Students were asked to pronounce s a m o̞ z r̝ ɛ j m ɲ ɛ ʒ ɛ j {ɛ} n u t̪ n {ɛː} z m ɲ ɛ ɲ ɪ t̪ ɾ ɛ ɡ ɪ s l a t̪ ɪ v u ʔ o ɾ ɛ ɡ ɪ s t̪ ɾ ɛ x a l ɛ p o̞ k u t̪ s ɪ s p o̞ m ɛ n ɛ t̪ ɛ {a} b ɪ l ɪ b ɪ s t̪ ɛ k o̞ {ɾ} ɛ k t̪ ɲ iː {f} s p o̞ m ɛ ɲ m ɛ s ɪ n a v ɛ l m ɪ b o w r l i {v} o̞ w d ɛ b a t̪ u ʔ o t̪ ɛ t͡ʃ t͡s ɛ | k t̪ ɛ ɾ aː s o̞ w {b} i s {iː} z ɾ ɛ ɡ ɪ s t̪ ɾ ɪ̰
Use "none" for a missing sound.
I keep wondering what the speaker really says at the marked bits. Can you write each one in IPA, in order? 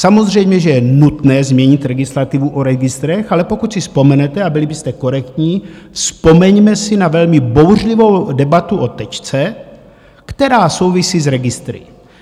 ɛ, ɛː, a, ɾ, f, v, v, iː

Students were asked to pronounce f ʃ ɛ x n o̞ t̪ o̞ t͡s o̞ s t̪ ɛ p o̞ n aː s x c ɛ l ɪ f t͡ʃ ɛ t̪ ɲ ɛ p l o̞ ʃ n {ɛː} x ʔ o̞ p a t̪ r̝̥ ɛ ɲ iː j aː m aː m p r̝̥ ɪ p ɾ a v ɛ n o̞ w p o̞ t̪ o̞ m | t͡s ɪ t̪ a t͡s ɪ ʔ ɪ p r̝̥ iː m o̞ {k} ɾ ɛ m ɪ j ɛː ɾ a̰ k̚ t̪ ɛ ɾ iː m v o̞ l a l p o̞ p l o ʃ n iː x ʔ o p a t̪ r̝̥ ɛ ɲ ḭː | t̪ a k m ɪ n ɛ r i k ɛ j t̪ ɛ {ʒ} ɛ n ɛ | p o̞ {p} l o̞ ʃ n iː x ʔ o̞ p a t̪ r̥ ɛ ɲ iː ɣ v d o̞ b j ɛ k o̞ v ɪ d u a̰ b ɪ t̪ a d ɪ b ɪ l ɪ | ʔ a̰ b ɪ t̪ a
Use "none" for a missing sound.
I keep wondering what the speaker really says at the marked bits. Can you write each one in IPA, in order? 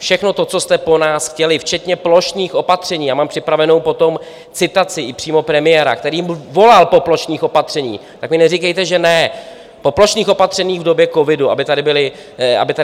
iː, p, ʒ, p

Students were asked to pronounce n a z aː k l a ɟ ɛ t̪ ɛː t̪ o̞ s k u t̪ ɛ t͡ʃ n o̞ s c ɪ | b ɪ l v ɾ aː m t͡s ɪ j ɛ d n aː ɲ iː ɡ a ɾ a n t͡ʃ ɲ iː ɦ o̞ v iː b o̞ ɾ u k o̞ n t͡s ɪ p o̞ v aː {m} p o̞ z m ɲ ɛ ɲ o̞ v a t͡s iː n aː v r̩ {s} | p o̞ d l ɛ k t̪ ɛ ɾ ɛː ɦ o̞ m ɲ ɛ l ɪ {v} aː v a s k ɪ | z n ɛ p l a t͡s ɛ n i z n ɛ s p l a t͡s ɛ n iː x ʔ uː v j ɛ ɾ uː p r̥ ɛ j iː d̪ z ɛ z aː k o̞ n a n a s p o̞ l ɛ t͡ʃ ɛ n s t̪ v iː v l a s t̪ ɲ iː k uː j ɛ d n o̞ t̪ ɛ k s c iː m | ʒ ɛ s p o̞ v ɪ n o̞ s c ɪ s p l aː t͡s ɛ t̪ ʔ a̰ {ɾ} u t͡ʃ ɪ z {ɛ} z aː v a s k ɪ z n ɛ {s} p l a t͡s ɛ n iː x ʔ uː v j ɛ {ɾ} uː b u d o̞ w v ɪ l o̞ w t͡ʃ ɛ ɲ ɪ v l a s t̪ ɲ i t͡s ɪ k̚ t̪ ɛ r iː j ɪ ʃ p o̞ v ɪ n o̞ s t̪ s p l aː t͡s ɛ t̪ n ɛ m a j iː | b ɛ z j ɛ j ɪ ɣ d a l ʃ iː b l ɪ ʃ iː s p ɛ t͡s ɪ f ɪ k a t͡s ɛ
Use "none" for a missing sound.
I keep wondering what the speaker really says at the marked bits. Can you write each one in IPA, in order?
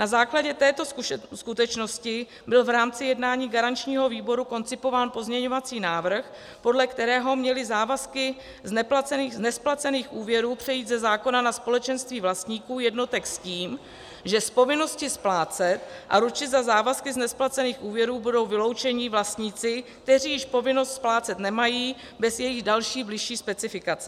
n, x, z, ɾ, a, s, ɾ

